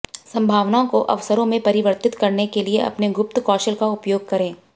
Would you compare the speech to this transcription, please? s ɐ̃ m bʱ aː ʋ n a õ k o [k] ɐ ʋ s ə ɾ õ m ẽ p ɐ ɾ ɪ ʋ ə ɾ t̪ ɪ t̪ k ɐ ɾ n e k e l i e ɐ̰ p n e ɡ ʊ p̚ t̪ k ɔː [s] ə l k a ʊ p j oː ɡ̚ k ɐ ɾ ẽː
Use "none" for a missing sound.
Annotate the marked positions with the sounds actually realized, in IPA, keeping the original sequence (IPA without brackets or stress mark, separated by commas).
ʔ, ʃ